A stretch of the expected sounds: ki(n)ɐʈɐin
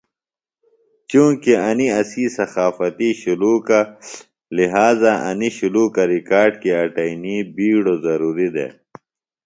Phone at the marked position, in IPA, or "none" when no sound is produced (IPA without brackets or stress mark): none